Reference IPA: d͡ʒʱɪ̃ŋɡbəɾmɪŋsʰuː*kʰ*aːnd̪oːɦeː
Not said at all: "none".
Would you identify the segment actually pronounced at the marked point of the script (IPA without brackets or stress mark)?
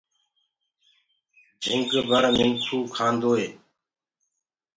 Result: kʰ